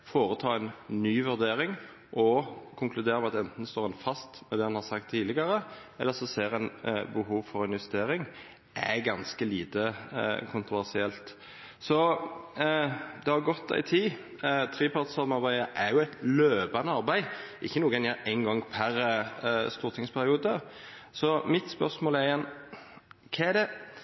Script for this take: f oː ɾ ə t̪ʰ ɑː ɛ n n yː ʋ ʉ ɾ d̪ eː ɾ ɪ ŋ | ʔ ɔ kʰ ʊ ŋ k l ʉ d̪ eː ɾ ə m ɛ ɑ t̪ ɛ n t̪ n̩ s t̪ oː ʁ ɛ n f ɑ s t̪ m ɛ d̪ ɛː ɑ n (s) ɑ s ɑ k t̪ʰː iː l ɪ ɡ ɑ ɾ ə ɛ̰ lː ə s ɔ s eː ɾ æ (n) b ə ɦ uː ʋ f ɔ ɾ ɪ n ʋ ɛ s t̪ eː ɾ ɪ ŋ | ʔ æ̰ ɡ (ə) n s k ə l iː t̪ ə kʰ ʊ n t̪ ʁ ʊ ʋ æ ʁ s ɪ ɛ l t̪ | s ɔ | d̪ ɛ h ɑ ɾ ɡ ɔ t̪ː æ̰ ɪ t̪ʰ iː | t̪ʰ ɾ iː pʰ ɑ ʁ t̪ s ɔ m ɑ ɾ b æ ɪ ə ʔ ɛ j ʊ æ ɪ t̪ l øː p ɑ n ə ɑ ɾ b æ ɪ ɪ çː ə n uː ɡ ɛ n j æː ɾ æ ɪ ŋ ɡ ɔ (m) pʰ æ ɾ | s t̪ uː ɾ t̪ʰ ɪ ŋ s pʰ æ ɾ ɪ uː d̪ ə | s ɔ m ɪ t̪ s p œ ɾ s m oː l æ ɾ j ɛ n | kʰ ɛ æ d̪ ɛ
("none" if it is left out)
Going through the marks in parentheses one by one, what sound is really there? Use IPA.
h, n, ɑ, ŋ

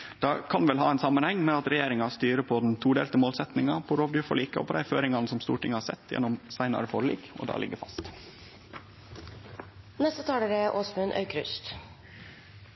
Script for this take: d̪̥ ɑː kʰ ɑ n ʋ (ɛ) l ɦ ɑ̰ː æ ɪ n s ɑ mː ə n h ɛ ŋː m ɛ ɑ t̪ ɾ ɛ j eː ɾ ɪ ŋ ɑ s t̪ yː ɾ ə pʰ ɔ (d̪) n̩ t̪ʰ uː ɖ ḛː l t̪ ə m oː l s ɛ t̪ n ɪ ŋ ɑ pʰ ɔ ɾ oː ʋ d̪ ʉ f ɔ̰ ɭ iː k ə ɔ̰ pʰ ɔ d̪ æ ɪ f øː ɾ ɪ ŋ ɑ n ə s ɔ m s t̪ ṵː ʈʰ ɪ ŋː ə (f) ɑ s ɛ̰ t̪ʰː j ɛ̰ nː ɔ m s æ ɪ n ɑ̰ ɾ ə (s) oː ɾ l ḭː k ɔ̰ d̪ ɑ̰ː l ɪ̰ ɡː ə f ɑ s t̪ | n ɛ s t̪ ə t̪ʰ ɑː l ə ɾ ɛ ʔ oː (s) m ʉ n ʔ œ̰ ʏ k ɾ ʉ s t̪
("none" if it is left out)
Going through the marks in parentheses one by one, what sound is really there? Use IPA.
ɛ, d̪, h, f, s

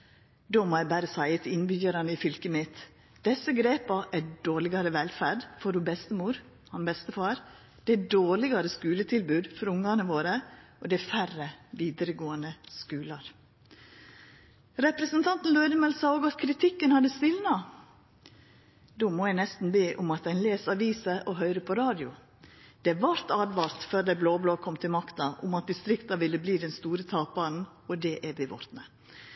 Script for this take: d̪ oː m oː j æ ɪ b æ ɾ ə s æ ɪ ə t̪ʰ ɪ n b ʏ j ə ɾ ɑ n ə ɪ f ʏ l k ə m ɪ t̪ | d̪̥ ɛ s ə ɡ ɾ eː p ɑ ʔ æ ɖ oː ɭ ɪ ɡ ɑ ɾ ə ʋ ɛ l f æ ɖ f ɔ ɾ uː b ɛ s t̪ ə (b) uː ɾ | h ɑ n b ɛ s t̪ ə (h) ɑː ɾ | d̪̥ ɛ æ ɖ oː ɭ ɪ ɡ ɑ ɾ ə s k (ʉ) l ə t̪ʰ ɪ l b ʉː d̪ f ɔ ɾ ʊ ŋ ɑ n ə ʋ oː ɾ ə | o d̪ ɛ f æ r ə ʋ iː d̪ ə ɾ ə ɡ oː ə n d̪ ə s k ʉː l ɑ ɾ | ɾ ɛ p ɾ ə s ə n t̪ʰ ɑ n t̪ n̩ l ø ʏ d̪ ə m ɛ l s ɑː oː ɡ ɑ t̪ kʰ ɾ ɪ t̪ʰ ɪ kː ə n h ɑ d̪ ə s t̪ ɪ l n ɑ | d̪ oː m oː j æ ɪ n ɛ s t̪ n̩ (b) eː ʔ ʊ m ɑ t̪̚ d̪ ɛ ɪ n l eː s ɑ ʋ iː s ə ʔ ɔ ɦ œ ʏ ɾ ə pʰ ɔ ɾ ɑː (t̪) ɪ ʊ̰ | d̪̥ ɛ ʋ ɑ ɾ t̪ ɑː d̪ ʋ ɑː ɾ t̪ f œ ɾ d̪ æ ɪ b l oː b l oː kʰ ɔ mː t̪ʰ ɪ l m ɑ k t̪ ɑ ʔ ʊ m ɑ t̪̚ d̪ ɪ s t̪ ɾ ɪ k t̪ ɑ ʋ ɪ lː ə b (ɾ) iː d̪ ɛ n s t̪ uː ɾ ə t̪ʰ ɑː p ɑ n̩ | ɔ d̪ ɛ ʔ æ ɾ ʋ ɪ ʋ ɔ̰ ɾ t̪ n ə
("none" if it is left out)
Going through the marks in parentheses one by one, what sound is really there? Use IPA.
m, f, ʉː, b, d̪, l

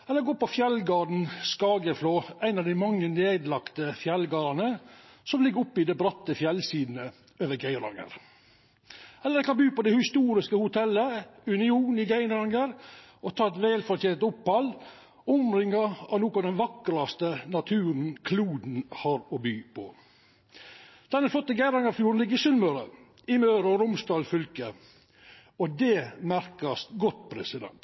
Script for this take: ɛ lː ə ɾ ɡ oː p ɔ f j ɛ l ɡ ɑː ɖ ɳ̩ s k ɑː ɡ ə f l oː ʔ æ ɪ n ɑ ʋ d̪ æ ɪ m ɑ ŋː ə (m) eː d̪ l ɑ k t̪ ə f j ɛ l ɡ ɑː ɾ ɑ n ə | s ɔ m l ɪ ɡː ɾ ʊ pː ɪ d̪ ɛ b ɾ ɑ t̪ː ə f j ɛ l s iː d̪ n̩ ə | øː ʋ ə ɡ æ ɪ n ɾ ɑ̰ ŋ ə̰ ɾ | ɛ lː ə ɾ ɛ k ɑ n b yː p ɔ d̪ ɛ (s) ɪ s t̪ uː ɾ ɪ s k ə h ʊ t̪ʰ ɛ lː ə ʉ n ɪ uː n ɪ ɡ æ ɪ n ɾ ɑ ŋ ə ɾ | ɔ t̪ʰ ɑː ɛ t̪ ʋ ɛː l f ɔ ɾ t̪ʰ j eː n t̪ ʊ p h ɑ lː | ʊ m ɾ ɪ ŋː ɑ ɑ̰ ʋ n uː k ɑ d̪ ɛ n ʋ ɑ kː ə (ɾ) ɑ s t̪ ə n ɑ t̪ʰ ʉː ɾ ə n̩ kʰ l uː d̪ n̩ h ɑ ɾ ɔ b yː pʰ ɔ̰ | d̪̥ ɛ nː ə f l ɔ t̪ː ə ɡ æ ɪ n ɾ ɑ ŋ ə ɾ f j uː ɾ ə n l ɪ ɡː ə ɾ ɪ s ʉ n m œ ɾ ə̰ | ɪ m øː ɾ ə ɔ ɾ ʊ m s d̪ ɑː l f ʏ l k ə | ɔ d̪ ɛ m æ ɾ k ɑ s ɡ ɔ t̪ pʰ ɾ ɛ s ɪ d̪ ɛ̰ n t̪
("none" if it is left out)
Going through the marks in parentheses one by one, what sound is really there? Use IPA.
n, h, ɾ

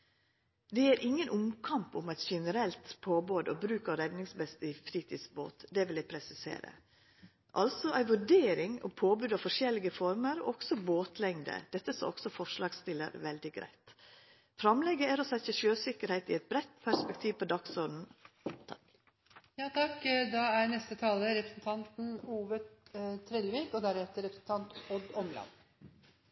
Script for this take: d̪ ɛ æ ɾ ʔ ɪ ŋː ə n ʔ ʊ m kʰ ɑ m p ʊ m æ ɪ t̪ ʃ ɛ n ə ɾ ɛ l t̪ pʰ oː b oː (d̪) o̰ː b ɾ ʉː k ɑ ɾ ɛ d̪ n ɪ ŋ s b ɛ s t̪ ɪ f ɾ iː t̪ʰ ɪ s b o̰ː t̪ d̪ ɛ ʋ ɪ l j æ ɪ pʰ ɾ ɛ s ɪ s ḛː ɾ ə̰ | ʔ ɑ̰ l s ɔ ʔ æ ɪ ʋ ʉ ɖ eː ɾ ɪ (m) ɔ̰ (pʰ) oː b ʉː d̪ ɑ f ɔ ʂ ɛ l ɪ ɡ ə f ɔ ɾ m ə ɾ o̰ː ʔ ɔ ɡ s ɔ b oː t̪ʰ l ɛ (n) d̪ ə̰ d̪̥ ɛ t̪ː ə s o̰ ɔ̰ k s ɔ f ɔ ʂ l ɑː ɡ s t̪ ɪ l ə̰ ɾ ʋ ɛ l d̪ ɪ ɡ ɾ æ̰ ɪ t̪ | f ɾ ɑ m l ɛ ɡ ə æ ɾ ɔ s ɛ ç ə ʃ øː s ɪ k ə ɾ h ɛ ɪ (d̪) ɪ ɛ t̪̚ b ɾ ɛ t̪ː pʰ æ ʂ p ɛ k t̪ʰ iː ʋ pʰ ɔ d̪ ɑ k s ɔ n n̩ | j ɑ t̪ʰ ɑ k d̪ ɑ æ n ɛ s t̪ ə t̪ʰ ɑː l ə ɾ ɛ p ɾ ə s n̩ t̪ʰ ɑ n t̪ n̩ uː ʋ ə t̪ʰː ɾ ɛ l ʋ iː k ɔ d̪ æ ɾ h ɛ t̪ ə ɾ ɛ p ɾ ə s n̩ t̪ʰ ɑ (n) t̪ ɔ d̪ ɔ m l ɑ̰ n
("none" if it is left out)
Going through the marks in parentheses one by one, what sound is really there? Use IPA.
d̪, ŋ, pʰ, ŋ, t̪, n

